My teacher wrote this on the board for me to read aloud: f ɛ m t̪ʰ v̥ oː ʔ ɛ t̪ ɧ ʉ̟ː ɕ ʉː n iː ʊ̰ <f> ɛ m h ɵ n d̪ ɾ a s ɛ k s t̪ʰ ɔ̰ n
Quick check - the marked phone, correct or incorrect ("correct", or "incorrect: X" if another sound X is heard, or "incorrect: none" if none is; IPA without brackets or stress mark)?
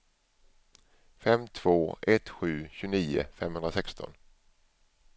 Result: correct